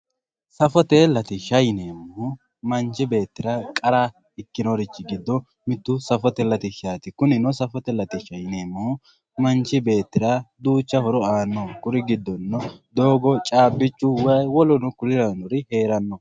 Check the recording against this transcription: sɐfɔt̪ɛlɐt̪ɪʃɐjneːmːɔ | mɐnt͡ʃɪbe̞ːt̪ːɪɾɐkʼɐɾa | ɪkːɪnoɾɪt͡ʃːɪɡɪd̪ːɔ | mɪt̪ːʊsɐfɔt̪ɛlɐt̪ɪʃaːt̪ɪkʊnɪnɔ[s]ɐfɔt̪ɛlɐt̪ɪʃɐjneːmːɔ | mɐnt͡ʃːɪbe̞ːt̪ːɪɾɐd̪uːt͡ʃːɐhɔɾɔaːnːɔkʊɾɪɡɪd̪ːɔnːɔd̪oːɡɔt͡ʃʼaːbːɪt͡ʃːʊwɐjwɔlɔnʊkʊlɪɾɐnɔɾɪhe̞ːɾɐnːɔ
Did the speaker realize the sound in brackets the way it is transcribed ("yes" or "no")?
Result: yes